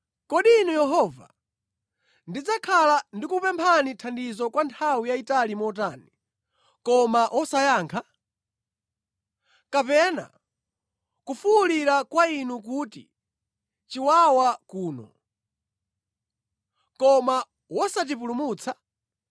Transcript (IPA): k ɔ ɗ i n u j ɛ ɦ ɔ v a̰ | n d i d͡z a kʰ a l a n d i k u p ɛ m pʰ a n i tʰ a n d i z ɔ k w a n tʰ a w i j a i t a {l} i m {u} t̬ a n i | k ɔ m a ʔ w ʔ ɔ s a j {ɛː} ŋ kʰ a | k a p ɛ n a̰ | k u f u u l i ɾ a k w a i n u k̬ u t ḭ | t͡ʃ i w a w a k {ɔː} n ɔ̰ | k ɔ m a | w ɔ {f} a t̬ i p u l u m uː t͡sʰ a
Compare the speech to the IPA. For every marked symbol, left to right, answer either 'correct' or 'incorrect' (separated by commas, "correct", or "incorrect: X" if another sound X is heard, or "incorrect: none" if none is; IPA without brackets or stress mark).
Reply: correct, incorrect: ɔ, incorrect: aː, incorrect: uː, incorrect: s